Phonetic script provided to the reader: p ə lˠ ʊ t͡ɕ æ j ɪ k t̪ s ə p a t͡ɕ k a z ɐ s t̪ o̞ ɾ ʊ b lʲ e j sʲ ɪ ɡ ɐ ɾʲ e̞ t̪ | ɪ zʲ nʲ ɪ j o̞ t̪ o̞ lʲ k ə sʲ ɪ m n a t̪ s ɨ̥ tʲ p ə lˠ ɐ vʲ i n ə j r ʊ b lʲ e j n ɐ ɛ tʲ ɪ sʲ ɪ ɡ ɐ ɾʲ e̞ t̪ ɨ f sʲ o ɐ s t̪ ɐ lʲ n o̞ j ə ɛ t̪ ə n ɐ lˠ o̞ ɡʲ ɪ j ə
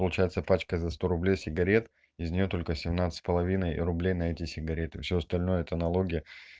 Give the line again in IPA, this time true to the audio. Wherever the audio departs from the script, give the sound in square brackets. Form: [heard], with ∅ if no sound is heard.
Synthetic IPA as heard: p ə lˠ ʊ t͡ɕ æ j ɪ [∅] t̪ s ə p a t͡ɕ k [ə] z ɐ s t̪ o̞ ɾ ʊ b lʲ e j sʲ ɪ ɡ ɐ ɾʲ e̞ t̪ | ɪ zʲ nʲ ɪ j o̞ t̪ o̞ lʲ k ə sʲ ɪ m n a t̪ s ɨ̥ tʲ p ə lˠ ɐ vʲ i n ə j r ʊ b lʲ e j n ɐ ɛ tʲ ɪ sʲ ɪ ɡ ɐ ɾʲ e̞ t̪ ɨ f sʲ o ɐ s t̪ ɐ lʲ n o̞ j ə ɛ t̪ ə n ɐ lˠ o̞ ɡʲ ɪ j ə